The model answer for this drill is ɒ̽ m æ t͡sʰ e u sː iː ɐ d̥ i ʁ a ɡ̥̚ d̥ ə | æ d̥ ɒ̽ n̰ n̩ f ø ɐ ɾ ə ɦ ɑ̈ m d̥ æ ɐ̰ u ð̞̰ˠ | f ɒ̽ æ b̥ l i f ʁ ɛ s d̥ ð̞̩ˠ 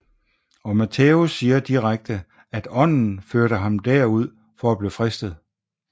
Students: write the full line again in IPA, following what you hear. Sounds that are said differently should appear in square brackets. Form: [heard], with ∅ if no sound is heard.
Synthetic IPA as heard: ɒ̽ m æ t͡sʰ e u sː iː ɐ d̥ i ʁ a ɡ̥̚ d̥ ə | æ d̥ ɒ̽ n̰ n̩ f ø ɐ ɾ ə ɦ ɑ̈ m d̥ æ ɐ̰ u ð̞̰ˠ | f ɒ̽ æ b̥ l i f ʁ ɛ s d̥ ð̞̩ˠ

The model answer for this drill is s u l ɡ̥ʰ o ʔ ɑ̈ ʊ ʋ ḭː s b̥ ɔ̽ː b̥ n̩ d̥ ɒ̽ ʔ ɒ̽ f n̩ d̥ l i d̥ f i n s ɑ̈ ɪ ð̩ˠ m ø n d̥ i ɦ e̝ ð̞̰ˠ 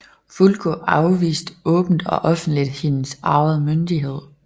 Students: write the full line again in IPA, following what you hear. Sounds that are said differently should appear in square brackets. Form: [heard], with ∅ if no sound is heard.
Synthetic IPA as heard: [f] u l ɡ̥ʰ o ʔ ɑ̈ ʊ ʋ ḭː s [d̥] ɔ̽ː b̥ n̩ d̥ ɒ̽ ʔ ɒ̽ f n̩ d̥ l i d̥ [h] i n s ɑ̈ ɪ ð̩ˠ m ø n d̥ i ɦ e̝ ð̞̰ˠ

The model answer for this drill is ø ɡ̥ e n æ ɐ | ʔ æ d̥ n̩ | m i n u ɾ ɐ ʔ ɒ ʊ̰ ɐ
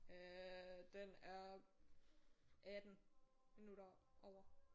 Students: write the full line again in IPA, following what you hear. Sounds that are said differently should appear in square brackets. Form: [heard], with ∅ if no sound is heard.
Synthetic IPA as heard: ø [d̥] e n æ ɐ | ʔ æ d̥ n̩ | m i n u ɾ ɐ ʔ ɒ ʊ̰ ɐ

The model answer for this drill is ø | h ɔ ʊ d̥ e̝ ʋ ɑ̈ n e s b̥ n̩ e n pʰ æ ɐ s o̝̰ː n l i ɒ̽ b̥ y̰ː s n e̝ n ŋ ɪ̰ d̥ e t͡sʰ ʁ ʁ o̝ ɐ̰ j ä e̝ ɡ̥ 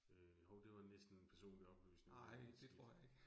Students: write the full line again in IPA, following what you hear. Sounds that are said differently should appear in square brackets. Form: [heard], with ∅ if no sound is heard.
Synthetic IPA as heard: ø | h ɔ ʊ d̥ e̝ ʋ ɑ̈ n e s [d̥] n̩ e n pʰ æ ɐ s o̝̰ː n l i ɒ̽ b̥ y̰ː s n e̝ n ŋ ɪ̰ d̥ e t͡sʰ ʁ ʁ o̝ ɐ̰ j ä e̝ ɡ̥

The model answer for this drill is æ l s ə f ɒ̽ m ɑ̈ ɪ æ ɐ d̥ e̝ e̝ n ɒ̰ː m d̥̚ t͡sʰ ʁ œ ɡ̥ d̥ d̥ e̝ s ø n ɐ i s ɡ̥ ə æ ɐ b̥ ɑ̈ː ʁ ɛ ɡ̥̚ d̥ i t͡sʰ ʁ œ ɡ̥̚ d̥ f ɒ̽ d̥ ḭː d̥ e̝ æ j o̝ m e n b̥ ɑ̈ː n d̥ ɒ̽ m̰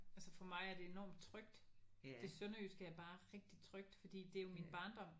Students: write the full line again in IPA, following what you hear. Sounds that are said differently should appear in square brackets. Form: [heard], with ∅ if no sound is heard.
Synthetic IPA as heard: æ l s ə f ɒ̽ m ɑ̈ ɪ æ ɐ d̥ e̝ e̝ n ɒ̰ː m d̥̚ t͡sʰ ʁ œ ɡ̥ d̥ d̥ e̝ s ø n ɐ [y] s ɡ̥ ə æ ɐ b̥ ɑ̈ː ʁ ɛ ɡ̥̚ d̥ i t͡sʰ ʁ œ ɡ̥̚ d̥ f ɒ̽ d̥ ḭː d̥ e̝ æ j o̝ m [i] n b̥ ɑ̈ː n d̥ ɒ̽ m̰

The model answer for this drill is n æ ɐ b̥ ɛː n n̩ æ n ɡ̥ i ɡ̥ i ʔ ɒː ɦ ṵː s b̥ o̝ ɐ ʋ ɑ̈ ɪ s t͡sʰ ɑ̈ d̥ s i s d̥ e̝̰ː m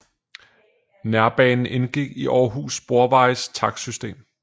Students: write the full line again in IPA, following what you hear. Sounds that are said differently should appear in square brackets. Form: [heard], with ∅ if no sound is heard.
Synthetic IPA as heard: n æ ɐ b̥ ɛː n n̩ [e] n ɡ̥ i ɡ̥ i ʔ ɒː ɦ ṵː s b̥ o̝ ɐ ʋ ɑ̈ ɪ s t͡sʰ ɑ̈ [ɡ̥] s [y] s d̥ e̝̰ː m

